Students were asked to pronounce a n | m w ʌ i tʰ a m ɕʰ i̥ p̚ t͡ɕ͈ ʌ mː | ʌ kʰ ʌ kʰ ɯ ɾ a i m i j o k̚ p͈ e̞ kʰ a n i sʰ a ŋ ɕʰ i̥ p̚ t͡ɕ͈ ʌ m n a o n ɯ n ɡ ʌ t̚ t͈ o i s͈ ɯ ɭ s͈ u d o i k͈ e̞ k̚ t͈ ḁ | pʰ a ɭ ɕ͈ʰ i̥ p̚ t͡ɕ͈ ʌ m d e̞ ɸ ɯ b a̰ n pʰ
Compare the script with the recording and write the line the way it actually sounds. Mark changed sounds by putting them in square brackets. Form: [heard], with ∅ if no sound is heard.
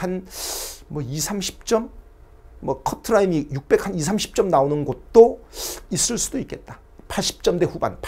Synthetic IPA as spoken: a n | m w ʌ i [sʰ] a m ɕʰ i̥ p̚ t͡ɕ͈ ʌ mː | ʌ kʰ ʌ [tʰ] ɯ ɾ a i m i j [u] k̚ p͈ e̞ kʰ a n i sʰ a [m] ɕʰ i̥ p̚ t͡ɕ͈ ʌ m n a o n ɯ n ɡ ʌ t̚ t͈ o i s͈ ɯ ɭ s͈ u d o i k͈ e̞ [t̚] t͈ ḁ | pʰ a ɭ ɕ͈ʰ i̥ p̚ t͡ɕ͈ ʌ m d e̞ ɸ [u] b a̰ n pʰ